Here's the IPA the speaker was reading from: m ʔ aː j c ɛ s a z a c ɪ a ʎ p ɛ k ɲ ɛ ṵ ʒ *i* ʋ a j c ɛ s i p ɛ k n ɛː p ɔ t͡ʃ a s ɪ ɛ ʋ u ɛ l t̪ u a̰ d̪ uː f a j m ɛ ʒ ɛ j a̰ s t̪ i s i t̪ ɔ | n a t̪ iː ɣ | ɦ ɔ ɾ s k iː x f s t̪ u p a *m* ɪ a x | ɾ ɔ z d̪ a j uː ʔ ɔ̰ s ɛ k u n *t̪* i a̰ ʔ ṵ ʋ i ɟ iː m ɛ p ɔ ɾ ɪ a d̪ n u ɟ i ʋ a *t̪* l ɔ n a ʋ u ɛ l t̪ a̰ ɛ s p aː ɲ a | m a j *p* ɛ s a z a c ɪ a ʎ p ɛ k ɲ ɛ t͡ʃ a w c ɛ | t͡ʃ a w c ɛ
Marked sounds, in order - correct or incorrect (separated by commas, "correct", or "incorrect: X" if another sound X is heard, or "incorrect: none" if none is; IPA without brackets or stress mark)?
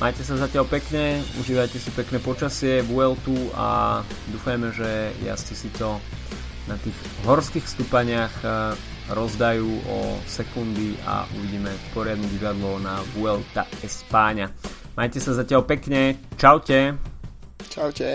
incorrect: iː, incorrect: ɲ, incorrect: d̪, incorrect: d̪, incorrect: c